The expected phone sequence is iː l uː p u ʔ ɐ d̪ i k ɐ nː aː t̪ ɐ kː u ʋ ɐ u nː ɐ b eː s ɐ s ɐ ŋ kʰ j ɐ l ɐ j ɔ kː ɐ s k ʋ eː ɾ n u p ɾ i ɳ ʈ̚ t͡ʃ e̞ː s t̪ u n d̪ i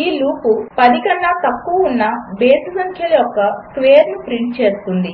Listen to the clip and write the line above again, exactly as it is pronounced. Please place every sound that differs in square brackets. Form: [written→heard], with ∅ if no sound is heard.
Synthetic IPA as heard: iː l uː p u [ʔ→p] ɐ d̪ i k ɐ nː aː t̪ ɐ kː u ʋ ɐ u nː ɐ b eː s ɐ s ɐ ŋ kʰ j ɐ l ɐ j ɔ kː ɐ s k ʋ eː ɾ n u p ɾ i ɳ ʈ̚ t͡ʃ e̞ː s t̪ u n d̪ i